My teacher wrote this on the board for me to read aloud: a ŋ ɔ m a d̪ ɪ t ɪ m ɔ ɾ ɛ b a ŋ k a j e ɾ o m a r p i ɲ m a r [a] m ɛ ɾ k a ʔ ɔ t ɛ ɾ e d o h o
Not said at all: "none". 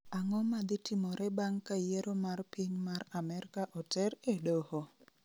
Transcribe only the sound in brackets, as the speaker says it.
a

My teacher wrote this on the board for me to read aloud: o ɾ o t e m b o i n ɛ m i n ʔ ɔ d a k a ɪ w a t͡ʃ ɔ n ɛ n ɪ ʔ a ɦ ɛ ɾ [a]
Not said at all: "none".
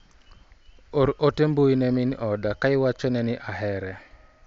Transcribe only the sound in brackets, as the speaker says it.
ɛ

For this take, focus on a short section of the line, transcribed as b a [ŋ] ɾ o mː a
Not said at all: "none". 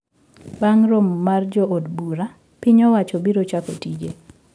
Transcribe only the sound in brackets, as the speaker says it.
ŋ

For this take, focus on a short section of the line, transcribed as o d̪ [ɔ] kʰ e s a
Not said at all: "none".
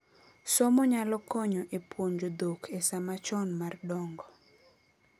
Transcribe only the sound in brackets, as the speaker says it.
o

